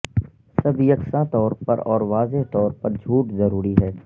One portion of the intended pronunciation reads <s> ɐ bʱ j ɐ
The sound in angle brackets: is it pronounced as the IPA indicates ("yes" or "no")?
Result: yes